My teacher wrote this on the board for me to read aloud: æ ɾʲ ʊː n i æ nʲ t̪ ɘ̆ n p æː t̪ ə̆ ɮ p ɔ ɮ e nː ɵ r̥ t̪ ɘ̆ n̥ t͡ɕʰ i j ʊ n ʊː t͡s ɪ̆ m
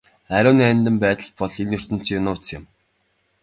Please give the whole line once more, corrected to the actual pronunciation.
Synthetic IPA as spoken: æ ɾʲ ʊː n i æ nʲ t̪ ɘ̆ m p æː t̪ ə̆ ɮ p ɔ ɮ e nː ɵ r̥ t̪ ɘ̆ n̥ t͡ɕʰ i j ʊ n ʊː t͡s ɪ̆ m